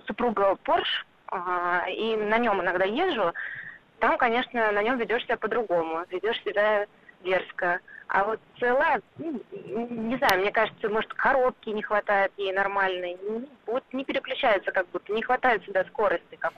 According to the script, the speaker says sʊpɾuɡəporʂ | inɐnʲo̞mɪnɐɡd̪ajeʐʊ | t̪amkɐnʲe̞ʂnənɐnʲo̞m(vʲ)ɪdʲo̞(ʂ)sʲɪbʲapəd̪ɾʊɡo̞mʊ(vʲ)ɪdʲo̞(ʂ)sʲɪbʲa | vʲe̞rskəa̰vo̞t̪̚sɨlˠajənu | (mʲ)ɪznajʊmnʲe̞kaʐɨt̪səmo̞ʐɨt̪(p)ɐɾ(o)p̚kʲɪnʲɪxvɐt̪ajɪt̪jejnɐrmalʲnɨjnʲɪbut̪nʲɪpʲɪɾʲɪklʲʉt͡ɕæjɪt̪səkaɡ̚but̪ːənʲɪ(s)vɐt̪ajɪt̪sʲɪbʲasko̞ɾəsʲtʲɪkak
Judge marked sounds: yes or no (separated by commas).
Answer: yes, yes, yes, yes, no, no, yes, no